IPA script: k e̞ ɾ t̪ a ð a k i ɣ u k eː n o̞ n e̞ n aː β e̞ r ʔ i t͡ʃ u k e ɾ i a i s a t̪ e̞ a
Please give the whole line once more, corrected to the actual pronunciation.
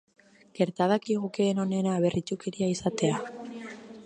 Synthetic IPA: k e̞ ɾ t̪ a ð a k i ɣ u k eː n o̞ n e̞ n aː β e̞ r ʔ i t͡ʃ u k e ɾ i a i s a t̪ e̞ a